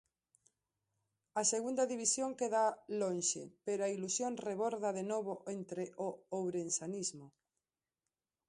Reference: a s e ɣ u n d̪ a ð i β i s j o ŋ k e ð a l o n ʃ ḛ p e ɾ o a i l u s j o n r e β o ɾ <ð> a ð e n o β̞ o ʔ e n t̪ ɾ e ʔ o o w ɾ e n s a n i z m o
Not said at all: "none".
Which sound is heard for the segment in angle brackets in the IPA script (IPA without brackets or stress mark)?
ð